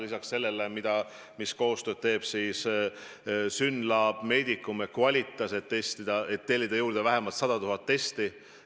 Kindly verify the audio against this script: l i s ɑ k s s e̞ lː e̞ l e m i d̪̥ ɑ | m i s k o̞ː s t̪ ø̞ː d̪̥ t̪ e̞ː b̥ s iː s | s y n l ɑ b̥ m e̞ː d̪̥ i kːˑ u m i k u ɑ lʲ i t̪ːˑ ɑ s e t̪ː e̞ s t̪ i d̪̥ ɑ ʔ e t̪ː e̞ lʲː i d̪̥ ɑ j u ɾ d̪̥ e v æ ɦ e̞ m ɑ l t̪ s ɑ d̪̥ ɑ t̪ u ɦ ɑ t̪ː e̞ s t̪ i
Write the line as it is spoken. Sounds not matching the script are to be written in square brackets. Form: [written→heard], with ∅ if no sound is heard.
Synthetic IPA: l i s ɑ k s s e̞ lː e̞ l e m i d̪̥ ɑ | m i s k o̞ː s t̪ ø̞ː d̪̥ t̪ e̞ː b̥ s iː s | s y n l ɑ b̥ m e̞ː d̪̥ i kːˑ u m [i→e] k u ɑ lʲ i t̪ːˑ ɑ s e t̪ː e̞ s t̪ i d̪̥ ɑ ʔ e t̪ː e̞ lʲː i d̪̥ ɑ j [u→uː] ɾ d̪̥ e v æ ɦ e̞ m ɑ l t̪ s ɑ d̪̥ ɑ t̪ u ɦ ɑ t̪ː e̞ s t̪ i